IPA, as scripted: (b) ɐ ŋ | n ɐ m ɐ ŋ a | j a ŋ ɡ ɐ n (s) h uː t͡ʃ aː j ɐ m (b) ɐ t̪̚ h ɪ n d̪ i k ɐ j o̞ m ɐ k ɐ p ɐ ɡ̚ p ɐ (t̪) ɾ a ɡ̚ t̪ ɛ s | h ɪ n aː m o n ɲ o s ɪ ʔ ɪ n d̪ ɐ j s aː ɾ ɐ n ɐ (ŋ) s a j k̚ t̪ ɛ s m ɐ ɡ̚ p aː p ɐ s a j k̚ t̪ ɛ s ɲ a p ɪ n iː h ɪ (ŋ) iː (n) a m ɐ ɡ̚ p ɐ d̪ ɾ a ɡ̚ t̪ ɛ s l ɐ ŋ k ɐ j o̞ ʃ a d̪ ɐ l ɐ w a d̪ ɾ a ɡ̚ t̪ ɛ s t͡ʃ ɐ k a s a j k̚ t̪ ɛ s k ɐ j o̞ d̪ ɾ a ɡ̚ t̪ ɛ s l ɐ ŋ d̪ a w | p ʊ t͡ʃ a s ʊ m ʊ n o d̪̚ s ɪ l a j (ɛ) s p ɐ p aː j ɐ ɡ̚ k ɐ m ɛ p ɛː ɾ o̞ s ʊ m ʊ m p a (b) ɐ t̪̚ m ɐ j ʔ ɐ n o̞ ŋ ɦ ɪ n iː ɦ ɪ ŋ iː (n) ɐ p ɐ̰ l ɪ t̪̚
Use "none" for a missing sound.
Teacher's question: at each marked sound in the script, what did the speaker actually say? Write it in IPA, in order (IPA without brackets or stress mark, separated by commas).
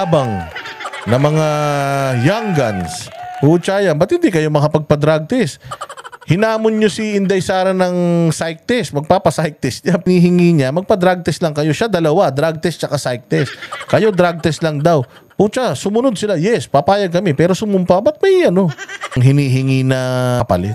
b, s, b, d̪, ŋ, ŋ, ɲ, ɛ, b, n